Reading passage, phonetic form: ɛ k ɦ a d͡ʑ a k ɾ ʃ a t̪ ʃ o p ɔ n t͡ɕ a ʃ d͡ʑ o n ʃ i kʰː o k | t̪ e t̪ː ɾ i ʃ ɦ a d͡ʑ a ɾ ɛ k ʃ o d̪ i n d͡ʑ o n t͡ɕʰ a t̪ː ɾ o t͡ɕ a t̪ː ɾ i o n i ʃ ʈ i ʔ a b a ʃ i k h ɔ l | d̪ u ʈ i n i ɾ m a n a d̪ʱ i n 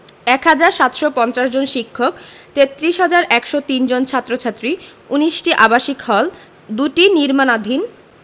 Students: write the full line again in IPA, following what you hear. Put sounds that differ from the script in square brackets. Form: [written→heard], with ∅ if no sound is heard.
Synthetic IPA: ɛ k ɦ a d͡ʑ a [k→∅] ɾ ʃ a t̪ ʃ o p ɔ n t͡ɕ a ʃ d͡ʑ o n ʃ i kʰː o k | t̪ e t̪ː ɾ i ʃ ɦ a d͡ʑ a ɾ ɛ k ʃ o [d̪→t̪] i n d͡ʑ o n t͡ɕʰ a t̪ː ɾ o [t͡ɕ→t͡ɕʰ] a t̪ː ɾ i [o→u] n i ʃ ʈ i ʔ a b a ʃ i k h ɔ l | d̪ u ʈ i n i ɾ m a n a d̪ʱ i n